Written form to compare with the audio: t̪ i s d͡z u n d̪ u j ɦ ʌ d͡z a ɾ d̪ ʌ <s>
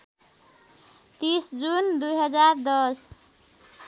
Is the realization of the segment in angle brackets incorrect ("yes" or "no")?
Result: no